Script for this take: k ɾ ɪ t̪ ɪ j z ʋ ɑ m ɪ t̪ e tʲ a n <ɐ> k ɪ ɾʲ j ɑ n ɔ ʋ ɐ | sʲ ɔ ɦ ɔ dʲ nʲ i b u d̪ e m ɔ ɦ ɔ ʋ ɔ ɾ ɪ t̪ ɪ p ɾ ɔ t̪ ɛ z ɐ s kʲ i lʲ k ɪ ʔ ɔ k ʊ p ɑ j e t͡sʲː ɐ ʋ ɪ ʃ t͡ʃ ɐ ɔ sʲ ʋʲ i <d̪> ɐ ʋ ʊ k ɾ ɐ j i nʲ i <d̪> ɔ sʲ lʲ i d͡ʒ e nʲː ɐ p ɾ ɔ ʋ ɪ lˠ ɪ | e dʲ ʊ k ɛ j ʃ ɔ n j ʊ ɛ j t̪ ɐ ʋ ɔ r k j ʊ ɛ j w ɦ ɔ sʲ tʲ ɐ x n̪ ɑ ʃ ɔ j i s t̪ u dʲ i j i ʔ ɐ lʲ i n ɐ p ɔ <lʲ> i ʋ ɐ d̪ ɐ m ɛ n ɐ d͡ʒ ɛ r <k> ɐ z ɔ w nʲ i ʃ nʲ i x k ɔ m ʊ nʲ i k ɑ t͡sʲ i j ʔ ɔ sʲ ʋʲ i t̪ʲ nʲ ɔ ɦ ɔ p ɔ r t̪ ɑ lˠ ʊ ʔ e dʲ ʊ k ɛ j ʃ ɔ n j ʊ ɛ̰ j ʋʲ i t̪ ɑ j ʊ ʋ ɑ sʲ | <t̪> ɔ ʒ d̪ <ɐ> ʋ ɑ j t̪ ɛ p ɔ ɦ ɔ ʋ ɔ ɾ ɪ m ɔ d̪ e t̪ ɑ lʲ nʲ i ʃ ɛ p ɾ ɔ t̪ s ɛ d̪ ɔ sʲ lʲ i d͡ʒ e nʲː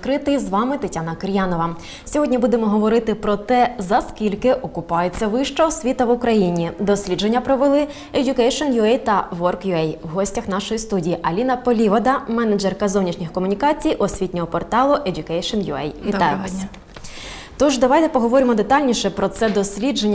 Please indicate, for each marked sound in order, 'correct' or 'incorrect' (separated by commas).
correct, incorrect, correct, correct, correct, correct, correct